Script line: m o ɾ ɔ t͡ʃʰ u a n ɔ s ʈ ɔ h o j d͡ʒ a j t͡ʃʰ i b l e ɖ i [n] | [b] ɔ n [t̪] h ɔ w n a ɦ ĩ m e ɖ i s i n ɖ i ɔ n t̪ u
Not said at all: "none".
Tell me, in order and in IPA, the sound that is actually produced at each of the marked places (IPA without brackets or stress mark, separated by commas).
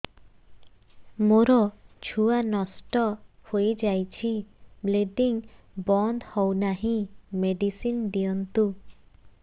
ŋ, b, d̪